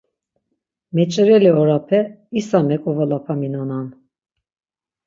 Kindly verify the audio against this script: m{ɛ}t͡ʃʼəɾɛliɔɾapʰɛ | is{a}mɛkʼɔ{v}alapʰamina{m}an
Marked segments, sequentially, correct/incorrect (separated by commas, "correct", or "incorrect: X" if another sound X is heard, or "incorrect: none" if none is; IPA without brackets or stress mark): correct, correct, correct, incorrect: n